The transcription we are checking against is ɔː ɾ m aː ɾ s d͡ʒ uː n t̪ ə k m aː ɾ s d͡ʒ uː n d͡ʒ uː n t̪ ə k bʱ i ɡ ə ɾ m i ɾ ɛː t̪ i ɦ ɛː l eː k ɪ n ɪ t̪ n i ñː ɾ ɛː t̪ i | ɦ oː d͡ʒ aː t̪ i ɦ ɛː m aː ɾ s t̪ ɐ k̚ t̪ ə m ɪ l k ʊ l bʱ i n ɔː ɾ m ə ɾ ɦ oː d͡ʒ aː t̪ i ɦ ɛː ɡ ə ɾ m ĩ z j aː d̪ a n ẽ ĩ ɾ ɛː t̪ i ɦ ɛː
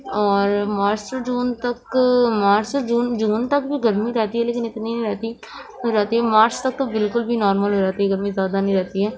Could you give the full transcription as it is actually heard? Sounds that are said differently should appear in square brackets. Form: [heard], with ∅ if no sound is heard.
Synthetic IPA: ɔː ɾ m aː ɾ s d͡ʒ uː n t̪ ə k m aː ɾ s d͡ʒ uː n d͡ʒ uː n t̪ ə k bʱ i ɡ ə ɾ m i ɾ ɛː t̪ i ɦ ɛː l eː k ɪ n ɪ t̪ n i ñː ɾ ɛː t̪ i | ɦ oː d͡ʒ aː t̪ i ɦ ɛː m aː ɾ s t̪ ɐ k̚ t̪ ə [b] ɪ l k ʊ l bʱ i n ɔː ɾ m ə [l] ɦ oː d͡ʒ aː t̪ i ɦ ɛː ɡ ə ɾ m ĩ z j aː d̪ a n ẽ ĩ ɾ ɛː t̪ i ɦ ɛː